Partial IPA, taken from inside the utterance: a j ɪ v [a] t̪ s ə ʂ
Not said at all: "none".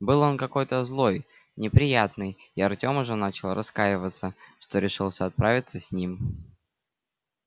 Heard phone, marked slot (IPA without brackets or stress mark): ə